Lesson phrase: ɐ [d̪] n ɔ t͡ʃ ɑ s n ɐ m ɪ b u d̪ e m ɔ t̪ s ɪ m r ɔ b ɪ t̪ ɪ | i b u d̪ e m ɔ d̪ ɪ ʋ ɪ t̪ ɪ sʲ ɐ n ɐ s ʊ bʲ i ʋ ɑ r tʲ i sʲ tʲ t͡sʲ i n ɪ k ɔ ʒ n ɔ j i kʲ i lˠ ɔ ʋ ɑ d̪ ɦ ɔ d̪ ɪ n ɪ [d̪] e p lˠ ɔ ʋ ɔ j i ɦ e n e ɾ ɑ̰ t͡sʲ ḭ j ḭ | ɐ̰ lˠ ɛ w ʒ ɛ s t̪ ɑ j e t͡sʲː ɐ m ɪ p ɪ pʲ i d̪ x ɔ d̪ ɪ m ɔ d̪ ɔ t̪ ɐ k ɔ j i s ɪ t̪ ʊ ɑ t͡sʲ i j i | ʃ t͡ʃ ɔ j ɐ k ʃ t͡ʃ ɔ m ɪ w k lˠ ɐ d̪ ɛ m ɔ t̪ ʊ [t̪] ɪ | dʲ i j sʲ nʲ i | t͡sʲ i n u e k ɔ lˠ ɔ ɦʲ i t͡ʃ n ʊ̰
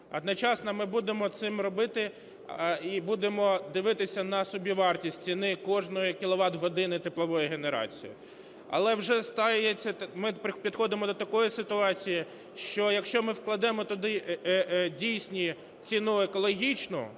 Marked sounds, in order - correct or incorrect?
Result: correct, incorrect: t̪, incorrect: d̪

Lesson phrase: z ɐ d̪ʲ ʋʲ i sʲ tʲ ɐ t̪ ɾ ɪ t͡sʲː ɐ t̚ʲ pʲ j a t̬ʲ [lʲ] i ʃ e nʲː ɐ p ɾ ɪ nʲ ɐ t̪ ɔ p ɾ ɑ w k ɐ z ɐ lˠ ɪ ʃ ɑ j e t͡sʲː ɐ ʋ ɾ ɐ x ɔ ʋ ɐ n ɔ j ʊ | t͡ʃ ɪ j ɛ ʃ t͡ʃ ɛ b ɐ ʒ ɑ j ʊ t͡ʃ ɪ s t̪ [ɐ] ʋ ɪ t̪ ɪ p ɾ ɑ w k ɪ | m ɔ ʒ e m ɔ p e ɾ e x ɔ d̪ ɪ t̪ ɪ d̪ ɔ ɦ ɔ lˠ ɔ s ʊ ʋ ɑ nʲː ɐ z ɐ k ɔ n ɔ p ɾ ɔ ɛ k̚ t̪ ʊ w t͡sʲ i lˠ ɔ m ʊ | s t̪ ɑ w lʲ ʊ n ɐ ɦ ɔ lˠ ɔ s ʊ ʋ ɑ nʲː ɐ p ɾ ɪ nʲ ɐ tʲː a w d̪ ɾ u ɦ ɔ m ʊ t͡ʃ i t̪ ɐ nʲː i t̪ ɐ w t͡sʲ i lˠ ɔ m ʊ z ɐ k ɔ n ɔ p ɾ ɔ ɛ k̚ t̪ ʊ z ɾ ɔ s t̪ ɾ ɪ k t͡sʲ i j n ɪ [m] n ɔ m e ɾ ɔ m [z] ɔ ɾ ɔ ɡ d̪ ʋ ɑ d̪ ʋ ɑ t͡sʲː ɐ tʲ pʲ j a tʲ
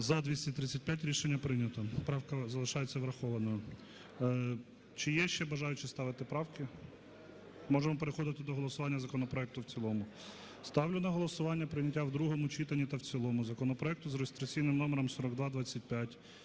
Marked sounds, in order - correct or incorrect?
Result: incorrect: ɾʲ, incorrect: ɑ, correct, incorrect: s

